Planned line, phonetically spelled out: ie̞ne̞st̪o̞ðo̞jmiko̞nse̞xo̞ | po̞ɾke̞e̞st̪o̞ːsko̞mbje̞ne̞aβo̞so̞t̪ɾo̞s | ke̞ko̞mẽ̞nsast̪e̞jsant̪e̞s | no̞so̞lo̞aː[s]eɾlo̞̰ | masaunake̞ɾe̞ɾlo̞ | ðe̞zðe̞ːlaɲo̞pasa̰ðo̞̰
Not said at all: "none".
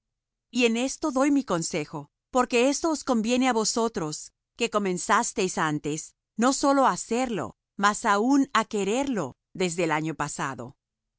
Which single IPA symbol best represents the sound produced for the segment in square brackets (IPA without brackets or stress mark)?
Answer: s